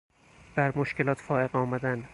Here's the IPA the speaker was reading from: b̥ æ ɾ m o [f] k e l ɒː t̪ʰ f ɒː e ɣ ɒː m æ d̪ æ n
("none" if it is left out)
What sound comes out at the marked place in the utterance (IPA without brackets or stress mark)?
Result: ʃ